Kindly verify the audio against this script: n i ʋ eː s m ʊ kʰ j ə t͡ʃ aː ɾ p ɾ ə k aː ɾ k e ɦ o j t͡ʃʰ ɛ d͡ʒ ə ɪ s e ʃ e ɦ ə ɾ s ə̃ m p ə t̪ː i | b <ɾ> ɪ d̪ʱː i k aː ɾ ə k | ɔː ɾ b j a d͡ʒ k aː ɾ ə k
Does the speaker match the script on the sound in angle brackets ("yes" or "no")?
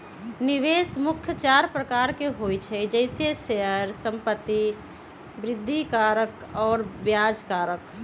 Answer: yes